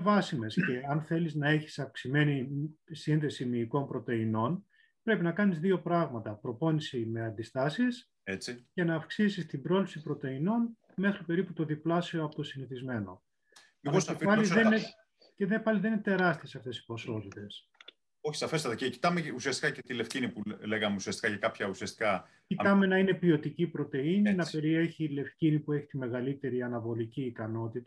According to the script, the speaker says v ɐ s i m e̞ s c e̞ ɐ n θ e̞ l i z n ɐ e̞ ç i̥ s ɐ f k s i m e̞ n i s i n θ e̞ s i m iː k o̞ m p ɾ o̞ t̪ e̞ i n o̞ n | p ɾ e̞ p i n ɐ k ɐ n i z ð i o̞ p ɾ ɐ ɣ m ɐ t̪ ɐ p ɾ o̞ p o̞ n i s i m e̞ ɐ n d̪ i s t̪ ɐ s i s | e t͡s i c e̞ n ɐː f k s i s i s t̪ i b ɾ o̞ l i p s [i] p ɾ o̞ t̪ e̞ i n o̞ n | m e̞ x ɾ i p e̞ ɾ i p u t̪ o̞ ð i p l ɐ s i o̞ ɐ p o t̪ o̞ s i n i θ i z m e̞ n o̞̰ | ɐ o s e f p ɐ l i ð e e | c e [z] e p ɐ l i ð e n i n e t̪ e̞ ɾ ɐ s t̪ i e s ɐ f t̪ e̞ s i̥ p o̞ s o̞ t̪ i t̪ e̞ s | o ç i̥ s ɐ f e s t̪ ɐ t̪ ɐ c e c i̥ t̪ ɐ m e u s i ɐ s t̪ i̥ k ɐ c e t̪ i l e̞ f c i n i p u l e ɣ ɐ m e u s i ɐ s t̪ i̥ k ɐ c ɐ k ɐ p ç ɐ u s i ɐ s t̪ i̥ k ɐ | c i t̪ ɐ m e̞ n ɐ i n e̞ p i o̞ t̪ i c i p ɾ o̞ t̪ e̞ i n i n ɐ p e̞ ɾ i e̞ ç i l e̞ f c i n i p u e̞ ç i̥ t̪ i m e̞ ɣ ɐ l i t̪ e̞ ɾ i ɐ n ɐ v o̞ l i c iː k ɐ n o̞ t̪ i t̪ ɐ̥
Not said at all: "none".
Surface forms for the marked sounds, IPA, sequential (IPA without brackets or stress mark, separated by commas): i, ð